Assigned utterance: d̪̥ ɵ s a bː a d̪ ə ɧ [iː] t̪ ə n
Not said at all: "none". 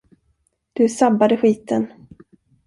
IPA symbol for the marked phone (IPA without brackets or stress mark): iː